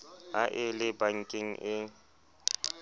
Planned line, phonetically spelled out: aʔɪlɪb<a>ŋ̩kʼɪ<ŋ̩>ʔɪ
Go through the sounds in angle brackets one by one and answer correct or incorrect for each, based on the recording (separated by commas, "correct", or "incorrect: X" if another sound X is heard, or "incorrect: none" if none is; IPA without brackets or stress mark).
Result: correct, correct